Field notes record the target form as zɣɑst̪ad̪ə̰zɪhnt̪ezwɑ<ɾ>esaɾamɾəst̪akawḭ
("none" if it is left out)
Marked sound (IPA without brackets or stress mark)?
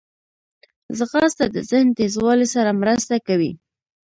l